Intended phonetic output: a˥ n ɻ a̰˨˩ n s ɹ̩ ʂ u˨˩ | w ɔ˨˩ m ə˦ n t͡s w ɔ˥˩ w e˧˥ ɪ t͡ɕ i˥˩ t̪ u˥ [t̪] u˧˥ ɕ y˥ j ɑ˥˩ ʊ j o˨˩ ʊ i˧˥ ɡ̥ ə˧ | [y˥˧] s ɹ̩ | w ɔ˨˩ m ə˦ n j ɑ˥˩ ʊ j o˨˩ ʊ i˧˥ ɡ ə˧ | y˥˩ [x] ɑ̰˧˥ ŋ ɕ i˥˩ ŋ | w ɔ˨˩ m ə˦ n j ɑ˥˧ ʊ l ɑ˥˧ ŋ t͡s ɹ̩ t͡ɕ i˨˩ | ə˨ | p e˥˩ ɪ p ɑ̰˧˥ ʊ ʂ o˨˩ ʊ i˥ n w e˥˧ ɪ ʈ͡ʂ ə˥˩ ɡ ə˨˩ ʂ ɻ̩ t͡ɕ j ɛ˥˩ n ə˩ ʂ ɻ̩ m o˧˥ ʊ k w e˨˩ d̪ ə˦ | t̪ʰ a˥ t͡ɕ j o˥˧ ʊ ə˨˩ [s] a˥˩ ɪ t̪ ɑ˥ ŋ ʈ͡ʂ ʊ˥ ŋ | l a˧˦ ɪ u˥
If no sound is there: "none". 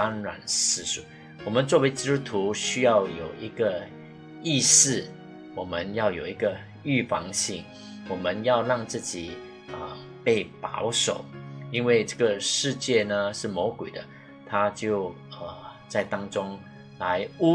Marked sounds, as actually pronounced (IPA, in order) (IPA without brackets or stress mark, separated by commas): t̪ʰ, i˥˧, f, t͡s